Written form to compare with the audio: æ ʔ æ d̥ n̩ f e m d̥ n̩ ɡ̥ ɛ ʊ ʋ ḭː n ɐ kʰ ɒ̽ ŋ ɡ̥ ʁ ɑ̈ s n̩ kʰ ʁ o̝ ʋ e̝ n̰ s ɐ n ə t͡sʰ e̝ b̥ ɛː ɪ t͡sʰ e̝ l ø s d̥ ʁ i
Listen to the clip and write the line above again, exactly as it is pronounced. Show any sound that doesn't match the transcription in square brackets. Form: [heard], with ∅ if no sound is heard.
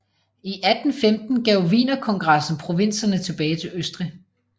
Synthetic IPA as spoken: [i] ʔ æ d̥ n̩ f e m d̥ n̩ ɡ̥ ɛ ʊ ʋ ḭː n ɐ kʰ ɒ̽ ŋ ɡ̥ ʁ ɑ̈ s n̩ [pʰ] ʁ o̝ ʋ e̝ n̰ s ɐ n ə t͡sʰ e̝ b̥ ɛː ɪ t͡sʰ e̝ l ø s d̥ ʁ i